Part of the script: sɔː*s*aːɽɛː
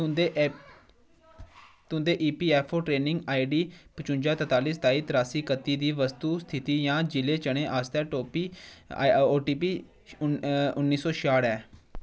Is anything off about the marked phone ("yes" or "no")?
yes